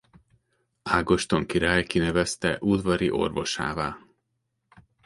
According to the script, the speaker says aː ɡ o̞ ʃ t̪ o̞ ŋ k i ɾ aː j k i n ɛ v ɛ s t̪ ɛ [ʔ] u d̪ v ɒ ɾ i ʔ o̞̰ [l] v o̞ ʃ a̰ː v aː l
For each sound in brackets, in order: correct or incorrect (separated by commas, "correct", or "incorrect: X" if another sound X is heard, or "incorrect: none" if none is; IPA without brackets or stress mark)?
correct, incorrect: r